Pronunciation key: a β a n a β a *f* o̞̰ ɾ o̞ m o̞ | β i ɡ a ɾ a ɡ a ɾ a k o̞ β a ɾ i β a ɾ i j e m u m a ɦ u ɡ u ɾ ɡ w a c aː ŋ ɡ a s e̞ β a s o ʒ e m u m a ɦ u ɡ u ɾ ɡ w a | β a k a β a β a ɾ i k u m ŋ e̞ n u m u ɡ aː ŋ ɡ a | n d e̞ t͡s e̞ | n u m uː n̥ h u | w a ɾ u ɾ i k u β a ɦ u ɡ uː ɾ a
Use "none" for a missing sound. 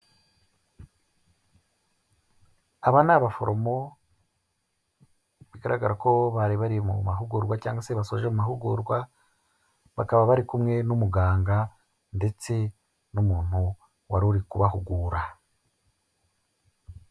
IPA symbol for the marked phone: f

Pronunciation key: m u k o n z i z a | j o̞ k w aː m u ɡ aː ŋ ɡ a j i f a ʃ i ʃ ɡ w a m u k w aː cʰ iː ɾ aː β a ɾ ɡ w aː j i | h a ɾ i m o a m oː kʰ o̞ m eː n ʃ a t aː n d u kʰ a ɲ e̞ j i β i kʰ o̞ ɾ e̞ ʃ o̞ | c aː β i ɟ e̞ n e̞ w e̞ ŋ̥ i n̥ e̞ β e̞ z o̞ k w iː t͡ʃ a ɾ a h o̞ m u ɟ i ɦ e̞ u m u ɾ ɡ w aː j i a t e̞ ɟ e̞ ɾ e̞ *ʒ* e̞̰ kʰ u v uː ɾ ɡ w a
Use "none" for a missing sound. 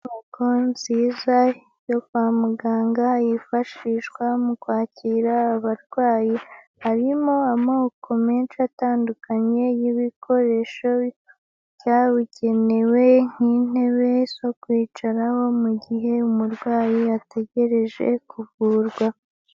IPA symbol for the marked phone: ʒ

